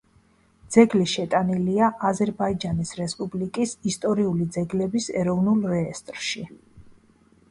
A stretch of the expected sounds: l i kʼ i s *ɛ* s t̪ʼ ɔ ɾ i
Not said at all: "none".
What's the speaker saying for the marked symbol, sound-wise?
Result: i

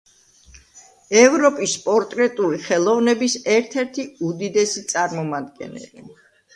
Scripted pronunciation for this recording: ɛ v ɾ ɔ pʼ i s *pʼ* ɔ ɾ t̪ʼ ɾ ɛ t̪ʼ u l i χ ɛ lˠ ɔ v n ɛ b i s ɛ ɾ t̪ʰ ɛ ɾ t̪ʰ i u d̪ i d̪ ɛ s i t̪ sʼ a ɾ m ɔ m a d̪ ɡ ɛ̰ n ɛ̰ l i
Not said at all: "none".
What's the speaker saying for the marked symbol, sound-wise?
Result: pʼ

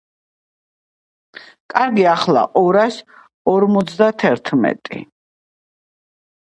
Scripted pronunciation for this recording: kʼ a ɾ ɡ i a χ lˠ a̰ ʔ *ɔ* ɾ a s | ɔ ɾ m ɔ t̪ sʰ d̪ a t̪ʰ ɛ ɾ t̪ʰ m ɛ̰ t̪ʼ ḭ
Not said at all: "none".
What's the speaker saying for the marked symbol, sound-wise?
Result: ɔ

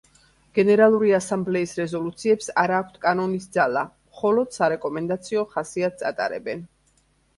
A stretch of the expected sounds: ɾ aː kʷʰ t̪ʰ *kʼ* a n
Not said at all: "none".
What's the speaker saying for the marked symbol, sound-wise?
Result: kʼ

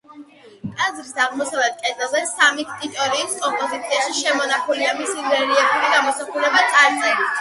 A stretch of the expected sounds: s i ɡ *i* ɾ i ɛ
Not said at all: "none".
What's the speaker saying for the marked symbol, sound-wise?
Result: ɛ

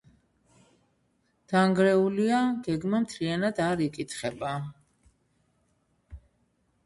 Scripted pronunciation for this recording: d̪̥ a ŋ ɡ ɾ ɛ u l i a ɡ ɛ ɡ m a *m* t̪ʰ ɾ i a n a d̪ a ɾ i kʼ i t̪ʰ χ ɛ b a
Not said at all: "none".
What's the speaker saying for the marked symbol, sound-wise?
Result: m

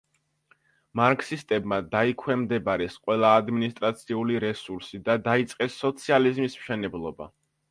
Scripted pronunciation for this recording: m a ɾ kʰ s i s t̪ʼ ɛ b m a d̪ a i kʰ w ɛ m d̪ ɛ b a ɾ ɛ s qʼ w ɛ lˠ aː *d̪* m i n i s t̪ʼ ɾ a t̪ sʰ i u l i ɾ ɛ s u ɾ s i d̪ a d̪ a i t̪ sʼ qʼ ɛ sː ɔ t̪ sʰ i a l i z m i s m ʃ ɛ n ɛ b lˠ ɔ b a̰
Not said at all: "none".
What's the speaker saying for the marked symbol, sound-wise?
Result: d̪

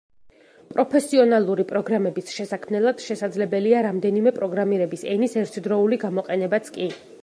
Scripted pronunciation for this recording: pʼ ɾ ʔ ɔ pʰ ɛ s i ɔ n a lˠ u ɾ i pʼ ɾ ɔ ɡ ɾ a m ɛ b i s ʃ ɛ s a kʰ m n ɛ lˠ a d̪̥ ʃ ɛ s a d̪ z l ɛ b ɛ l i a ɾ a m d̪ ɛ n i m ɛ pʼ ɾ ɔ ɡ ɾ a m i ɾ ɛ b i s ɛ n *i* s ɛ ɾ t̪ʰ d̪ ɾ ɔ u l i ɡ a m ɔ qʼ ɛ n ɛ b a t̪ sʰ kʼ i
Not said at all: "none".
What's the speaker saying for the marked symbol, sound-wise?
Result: i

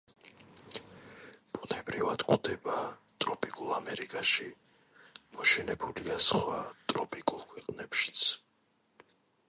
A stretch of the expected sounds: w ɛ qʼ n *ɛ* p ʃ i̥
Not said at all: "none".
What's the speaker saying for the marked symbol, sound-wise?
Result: ɛ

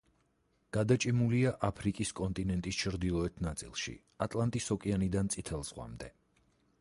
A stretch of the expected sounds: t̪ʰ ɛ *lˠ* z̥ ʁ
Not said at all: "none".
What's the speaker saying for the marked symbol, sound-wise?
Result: lˠ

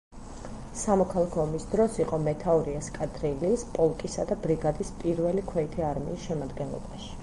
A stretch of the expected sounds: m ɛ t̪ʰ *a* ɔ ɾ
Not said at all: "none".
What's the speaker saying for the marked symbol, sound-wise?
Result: a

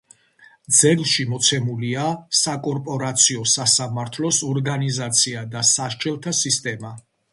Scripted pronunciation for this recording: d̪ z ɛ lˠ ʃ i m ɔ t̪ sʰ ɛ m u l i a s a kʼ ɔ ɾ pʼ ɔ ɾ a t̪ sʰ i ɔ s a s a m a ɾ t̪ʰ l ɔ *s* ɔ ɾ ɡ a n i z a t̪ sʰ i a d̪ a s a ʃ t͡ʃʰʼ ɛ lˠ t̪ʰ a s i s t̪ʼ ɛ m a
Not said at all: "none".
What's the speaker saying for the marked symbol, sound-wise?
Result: s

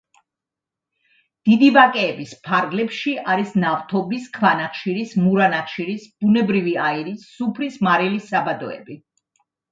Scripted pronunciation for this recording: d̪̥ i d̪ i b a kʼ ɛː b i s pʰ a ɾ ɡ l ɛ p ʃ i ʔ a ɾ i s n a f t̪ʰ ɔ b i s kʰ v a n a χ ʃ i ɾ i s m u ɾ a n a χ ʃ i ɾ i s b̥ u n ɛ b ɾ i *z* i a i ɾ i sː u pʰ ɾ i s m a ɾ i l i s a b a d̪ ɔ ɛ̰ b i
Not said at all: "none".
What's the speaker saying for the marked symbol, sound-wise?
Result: v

